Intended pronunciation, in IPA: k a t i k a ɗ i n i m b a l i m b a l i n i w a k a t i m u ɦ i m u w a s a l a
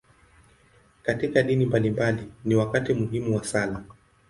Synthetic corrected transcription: k a t i k a ɗ i n i m b a l i m b a l i n i w a k a t i m u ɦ i m u w a s a l a